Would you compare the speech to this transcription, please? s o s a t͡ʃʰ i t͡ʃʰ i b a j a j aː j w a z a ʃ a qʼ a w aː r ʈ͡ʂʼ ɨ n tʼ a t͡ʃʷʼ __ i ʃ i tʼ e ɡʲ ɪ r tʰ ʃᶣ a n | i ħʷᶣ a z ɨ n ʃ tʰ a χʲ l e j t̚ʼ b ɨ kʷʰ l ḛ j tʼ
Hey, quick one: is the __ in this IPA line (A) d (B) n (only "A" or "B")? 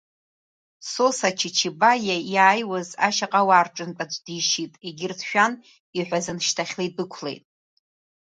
A